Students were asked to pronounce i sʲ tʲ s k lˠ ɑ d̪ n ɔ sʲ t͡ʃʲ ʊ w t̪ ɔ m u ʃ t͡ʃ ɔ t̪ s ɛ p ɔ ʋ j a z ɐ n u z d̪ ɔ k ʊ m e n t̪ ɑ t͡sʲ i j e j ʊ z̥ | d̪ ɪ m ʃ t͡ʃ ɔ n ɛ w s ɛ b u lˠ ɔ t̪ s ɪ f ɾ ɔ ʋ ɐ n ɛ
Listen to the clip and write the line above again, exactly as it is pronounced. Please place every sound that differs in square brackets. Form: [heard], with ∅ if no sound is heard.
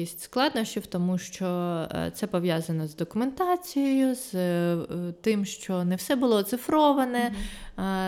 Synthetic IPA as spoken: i sʲ tʲ s k lˠ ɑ d̪ n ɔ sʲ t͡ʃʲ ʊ w t̪ ɔ m u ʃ t͡ʃ ɔ t̪ s ɛ p ɔ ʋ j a z ɐ n [ɔ] z d̪ ɔ k ʊ m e n t̪ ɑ t͡sʲ i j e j ʊ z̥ | [t̪] ɪ m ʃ t͡ʃ ɔ n ɛ w s ɛ b [ʊ] lˠ ɔ t̪ s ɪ f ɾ ɔ ʋ ɐ n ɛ